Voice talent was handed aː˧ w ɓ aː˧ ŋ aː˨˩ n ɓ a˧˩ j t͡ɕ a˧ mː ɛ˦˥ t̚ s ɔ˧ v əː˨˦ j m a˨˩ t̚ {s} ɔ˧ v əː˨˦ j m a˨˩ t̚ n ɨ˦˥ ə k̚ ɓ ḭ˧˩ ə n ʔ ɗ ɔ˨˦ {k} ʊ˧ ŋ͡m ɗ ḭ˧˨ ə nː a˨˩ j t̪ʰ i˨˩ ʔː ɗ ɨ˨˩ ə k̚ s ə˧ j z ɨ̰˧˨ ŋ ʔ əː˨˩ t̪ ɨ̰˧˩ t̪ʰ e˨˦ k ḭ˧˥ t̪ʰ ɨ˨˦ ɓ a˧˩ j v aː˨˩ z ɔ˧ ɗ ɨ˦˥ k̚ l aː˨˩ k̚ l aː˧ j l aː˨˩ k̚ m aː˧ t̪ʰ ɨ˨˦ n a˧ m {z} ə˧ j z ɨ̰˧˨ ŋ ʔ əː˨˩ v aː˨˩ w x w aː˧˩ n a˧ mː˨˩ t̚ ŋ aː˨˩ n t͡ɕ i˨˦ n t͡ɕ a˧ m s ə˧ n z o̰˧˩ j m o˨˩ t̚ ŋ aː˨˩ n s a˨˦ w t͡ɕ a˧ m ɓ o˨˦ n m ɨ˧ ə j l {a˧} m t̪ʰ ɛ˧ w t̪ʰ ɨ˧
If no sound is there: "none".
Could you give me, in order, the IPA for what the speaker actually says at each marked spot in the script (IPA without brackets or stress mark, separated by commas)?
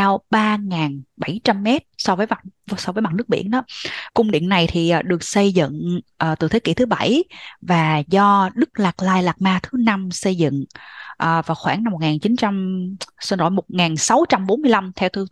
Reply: s, k, s, a˧